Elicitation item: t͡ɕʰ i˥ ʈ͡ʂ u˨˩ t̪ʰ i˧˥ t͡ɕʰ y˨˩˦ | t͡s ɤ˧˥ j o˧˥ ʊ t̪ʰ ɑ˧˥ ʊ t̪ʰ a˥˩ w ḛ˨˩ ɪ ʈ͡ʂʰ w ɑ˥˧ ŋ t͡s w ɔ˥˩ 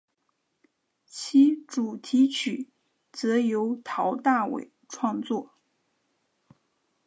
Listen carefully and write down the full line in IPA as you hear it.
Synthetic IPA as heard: t͡ɕʰ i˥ ʈ͡ʂ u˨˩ t̪ʰ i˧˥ t͡ɕʰ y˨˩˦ | t͡s ɤ˧˥ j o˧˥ ʊ t̪ʰ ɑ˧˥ ʊ t̪ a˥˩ w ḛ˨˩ ɪ ʈ͡ʂʰ w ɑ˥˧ ŋ t͡s w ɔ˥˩